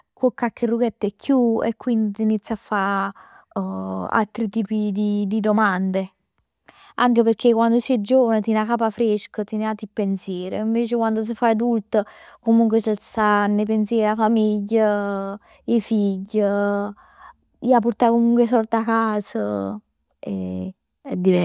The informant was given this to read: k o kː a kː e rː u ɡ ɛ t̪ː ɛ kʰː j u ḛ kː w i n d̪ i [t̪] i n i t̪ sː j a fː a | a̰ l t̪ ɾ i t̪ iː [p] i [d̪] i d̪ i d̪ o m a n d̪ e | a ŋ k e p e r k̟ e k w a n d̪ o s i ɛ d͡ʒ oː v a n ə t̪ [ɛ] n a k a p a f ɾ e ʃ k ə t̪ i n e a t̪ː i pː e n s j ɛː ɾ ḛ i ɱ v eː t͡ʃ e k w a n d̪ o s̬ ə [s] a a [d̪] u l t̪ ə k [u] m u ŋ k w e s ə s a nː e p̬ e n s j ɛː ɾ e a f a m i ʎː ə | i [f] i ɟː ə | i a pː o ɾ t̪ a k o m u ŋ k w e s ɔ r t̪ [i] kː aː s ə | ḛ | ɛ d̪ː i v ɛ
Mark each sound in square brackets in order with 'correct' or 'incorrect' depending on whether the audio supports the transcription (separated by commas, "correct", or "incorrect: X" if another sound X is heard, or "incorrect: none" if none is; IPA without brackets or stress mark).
correct, correct, correct, incorrect: i, incorrect: f, correct, incorrect: o, correct, incorrect: a